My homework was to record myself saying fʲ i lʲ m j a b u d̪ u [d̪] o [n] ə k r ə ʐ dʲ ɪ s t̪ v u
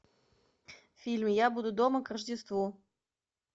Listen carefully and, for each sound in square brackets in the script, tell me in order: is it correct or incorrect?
correct, incorrect: m

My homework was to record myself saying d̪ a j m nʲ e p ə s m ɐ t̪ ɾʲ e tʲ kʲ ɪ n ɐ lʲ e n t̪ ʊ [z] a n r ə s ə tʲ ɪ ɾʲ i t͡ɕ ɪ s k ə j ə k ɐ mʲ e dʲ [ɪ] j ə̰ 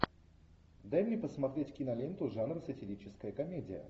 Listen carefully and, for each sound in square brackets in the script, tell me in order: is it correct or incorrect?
incorrect: ʐ, correct

